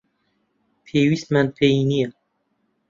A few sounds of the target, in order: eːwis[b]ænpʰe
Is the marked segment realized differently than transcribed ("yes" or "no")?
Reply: yes